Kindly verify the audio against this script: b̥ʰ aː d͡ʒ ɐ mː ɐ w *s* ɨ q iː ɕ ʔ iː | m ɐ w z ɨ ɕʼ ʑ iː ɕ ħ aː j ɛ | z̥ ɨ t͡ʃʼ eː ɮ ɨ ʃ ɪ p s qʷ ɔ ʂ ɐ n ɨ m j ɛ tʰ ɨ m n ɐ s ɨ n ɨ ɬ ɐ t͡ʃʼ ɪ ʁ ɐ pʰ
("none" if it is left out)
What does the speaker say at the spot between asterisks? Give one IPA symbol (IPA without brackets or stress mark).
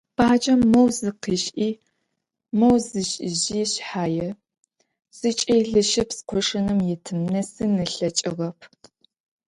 z